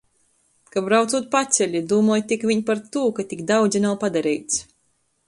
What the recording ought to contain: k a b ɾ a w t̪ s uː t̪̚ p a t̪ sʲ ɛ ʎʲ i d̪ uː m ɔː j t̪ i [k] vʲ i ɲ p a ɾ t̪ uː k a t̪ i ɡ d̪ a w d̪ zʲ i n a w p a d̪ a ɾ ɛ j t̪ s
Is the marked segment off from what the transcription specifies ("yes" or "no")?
no